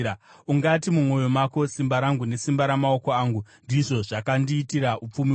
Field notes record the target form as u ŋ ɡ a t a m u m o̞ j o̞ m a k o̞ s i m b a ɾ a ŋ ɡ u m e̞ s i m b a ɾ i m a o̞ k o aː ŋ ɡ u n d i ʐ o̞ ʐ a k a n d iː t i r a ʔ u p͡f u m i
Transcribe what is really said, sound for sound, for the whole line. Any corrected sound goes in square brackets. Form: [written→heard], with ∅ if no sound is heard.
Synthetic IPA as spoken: u ŋ ɡ a t [a→i] m u m o̞ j o̞ m a k o̞ s i m b a ɾ a ŋ ɡ u [m→n] e̞ s i m b a ɾ [i→a] m a o̞ k o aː ŋ ɡ u n d i ʐ o̞ ʐ a k a n d iː t i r a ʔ u p͡f u m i